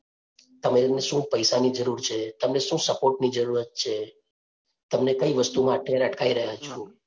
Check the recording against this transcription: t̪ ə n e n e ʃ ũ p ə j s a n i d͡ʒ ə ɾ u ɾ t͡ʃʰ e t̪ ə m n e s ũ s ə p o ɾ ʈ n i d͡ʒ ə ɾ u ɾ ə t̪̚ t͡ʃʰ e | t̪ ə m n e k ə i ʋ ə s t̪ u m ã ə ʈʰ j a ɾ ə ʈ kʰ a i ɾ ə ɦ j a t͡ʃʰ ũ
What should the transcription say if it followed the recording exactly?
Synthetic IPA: t̪ ə m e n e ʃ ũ p ə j s a n i d͡ʒ ə ɾ u ɾ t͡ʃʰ e t̪ ə m n e ʃ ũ s ə p o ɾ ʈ n i d͡ʒ ə ɾ u ɾ ə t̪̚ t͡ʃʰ e | t̪ ə m n e k ə i ʋ ə s t̪ u m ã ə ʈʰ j a ɾ ə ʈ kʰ a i ɾ ə ɦ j a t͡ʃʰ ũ